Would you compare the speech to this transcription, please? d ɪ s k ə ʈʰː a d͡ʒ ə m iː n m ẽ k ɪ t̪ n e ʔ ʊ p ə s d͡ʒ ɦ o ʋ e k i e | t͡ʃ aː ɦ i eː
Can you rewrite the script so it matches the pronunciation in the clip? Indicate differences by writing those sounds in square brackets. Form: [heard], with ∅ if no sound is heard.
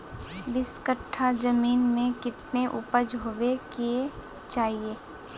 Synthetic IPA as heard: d ɪ s k ə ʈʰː a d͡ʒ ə m iː n m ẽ k ɪ t̪ n e ʔ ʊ p ə [∅] d͡ʒ ɦ o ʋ e k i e | t͡ʃ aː ɦ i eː